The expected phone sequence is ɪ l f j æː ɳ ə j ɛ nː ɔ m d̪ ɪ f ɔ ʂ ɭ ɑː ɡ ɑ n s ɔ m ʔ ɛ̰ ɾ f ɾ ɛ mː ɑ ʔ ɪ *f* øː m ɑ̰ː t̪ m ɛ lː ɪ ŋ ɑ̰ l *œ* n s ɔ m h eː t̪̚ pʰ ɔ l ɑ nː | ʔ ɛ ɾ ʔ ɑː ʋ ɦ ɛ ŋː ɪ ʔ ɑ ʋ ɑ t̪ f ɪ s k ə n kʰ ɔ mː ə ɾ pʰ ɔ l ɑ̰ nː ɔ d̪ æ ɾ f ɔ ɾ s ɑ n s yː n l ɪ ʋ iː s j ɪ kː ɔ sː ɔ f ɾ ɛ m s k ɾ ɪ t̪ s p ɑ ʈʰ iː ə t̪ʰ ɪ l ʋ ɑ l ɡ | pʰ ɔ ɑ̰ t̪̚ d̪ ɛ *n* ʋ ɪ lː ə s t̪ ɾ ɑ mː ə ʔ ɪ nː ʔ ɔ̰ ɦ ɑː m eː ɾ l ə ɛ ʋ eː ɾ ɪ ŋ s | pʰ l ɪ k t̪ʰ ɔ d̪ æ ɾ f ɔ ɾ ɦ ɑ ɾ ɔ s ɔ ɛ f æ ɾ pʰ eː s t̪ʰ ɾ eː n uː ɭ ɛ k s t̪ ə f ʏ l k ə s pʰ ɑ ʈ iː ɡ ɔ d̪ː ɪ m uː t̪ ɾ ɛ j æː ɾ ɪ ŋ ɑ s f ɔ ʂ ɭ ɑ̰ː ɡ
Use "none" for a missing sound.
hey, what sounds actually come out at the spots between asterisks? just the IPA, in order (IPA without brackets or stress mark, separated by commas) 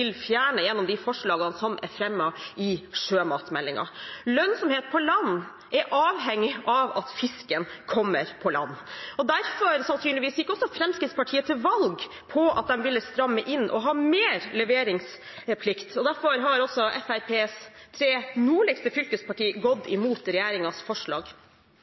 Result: ʂ, œ, m